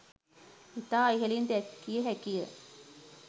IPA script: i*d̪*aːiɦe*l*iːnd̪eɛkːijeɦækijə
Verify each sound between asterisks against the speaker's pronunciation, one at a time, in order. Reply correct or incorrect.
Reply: incorrect, correct

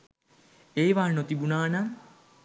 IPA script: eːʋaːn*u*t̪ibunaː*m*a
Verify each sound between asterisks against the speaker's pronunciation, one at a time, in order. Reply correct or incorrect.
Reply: incorrect, incorrect

